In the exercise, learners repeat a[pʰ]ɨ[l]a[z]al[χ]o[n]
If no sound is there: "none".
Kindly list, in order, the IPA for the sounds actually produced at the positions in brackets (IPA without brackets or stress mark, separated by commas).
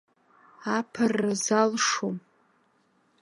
pʰ, r, z, ʂ, m